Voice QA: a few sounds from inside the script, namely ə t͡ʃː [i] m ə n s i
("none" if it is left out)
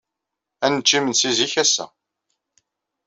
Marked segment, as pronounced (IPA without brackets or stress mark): i